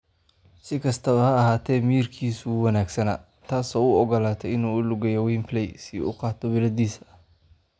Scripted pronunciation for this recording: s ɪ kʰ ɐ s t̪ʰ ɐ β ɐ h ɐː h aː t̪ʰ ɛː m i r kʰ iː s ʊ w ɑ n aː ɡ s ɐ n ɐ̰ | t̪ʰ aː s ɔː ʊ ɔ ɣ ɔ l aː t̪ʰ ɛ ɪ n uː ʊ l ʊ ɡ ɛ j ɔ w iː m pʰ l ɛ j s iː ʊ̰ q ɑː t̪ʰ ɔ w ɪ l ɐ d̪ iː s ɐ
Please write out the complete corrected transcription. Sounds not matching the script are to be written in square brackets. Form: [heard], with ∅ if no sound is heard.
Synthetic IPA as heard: s ɪ kʰ ɐ s t̪ʰ ɐ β ɐ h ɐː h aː t̪ʰ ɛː m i r kʰ iː s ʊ w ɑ n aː ɡ s ɐ n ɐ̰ | t̪ʰ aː s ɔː ʊ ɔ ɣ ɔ l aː t̪ʰ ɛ ɪ n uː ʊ l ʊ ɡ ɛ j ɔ w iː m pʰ l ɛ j s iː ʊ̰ q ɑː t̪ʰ ɔ w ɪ l ɐ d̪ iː s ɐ